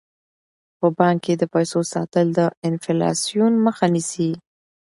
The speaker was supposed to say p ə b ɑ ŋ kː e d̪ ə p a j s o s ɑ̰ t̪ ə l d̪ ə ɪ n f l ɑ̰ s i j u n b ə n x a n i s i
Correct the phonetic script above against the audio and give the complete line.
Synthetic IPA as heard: p ə b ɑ ŋ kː e d̪ ə p a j s o s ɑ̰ t̪ ə l d̪ ə ɪ n f l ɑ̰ s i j u n m ə x a n i s i